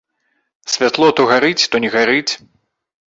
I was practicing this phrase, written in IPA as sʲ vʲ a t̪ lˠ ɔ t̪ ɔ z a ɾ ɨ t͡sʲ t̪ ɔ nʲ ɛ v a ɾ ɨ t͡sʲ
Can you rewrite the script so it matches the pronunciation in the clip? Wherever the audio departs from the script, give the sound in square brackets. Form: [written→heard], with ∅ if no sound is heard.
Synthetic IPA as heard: sʲ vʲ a t̪ lˠ ɔ t̪ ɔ [z→ɣ] a ɾ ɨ t͡sʲ t̪ ɔ nʲ ɛ [v→ɣ] a ɾ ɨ t͡sʲ